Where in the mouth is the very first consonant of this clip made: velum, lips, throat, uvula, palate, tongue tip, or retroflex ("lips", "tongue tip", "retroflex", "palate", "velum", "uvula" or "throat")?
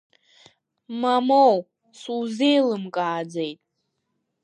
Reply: lips